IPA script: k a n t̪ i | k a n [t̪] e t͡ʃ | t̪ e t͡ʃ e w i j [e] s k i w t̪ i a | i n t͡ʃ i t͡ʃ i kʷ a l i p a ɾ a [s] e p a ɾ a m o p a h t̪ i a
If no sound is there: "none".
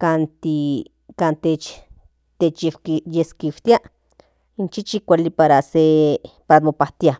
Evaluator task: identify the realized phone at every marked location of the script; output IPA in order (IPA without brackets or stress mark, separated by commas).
t̪, e, s